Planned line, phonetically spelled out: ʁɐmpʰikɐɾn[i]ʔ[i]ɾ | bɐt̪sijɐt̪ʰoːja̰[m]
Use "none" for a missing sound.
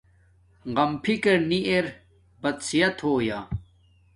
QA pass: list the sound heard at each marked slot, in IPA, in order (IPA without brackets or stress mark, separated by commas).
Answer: i, e, none